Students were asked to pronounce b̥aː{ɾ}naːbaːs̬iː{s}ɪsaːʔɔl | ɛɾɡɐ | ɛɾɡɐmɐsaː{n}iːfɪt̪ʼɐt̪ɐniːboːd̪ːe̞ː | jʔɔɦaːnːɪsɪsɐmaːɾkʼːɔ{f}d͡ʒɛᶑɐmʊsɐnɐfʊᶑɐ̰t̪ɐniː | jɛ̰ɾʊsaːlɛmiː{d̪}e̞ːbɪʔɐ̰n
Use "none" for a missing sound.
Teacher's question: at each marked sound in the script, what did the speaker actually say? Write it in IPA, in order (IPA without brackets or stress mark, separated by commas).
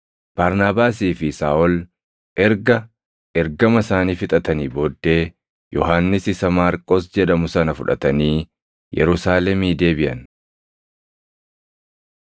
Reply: ɾ, f, n, s, d̪